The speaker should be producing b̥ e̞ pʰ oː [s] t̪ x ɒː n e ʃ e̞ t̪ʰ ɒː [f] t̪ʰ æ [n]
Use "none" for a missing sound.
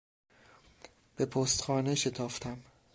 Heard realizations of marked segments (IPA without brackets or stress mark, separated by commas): s, f, m